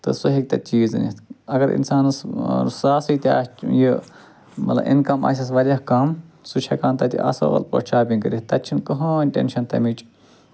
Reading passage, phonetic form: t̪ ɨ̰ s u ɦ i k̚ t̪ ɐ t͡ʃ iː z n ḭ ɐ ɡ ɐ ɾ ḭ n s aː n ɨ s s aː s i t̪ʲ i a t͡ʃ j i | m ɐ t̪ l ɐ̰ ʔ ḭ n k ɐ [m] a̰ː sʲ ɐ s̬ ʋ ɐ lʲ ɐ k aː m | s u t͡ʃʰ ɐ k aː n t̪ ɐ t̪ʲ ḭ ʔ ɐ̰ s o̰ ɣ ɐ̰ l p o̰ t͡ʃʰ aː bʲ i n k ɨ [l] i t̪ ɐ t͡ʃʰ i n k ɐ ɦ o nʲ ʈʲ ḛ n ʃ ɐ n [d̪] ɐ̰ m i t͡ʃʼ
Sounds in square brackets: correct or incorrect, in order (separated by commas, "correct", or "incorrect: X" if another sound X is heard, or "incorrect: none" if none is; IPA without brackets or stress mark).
correct, incorrect: ɾ, incorrect: t̪